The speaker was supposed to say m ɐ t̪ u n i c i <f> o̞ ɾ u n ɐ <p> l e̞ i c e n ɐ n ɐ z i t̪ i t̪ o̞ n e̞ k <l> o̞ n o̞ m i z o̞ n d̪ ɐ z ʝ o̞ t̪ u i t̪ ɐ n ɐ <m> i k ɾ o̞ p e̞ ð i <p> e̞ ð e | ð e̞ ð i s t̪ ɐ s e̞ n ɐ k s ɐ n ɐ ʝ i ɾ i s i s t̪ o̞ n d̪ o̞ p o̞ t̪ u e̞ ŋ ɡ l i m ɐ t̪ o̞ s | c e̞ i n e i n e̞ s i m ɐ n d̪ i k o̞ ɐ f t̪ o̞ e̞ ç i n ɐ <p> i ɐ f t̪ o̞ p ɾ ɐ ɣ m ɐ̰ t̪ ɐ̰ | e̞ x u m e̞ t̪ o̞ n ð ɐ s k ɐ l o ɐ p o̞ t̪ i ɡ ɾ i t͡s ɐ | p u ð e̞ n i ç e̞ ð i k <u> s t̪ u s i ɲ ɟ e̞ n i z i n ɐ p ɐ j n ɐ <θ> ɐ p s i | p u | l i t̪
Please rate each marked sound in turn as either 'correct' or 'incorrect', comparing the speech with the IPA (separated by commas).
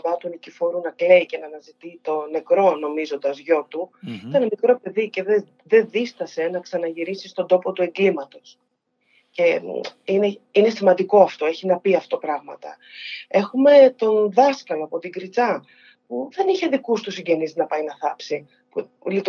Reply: correct, incorrect, incorrect, correct, incorrect, correct, correct, correct